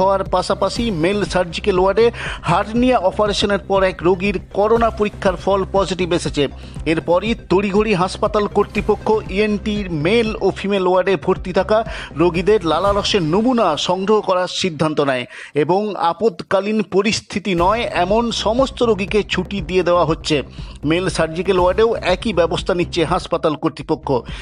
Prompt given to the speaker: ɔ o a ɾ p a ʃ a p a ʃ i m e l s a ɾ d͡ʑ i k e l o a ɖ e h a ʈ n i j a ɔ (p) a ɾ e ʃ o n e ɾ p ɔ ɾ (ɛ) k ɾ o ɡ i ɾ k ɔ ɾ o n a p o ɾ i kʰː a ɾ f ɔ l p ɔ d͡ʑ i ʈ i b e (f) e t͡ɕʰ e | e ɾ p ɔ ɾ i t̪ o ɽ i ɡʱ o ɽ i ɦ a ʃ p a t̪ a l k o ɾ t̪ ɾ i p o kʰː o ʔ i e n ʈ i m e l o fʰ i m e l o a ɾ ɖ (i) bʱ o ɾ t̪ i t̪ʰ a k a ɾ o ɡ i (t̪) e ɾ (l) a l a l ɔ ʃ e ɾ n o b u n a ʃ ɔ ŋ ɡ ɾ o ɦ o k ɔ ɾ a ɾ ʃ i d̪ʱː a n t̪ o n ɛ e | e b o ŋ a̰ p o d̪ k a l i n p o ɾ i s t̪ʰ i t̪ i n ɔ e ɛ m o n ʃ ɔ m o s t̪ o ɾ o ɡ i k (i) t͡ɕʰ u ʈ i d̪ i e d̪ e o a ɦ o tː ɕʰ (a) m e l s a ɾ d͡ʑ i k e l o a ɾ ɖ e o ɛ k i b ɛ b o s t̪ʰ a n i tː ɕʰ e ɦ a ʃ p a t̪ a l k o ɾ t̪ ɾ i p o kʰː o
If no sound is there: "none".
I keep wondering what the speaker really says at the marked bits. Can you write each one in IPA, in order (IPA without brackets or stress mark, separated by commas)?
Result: p, ɛ, ʃ, e, d̪, l, e, e